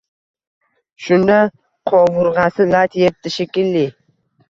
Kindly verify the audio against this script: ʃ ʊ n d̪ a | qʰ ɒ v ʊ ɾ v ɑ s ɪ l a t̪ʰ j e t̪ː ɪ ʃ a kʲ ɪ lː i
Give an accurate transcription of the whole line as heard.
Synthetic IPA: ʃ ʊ n d̪ a | qʰ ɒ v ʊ ɾ ʁ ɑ s ɪ l a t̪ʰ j e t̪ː ɪ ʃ e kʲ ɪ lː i